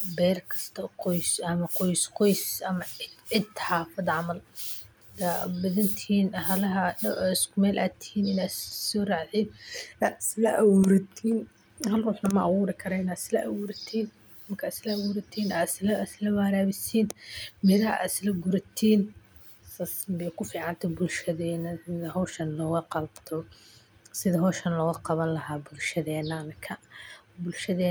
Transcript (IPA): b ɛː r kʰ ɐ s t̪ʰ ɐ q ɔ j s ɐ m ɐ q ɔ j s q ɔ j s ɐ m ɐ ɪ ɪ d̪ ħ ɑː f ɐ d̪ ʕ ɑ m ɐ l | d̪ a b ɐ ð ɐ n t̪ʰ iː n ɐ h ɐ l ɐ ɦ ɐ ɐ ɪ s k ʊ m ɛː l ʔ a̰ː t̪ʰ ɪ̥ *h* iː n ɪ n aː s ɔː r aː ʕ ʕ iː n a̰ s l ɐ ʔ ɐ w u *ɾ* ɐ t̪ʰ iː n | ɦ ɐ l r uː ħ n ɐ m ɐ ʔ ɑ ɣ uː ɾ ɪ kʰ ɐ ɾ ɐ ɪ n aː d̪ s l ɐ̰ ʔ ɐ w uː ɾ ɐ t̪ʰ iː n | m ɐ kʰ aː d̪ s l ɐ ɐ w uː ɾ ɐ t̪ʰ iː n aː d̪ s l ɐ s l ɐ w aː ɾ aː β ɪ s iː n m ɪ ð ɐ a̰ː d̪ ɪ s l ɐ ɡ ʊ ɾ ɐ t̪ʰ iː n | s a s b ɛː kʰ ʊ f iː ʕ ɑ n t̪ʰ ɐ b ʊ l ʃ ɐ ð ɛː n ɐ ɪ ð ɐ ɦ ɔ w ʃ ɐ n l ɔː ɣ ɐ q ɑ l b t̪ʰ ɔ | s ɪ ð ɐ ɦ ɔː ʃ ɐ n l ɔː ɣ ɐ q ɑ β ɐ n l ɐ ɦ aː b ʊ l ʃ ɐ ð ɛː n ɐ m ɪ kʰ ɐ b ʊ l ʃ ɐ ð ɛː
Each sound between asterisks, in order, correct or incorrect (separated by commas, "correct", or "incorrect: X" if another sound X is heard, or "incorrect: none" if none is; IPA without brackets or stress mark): correct, correct